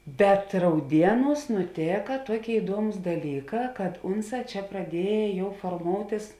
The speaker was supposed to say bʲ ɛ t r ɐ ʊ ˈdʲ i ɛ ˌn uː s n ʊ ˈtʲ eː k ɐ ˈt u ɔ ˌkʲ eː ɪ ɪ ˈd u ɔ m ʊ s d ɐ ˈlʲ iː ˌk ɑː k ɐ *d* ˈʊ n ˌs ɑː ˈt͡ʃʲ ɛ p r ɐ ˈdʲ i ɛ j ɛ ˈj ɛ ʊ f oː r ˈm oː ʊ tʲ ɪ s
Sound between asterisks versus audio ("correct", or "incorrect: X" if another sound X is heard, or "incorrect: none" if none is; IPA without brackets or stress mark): incorrect: t